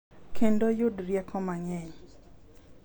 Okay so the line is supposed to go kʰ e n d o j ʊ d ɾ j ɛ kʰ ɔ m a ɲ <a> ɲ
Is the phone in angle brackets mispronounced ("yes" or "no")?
yes